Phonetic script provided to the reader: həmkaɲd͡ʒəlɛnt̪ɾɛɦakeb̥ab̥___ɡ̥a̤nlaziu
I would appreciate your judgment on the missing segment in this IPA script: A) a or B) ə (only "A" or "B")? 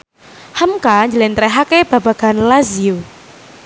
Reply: A